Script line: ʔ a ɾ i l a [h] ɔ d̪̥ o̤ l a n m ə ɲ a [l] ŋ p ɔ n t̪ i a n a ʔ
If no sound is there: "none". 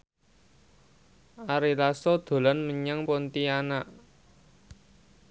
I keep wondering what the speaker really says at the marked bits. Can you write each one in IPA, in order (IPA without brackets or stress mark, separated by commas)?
s, none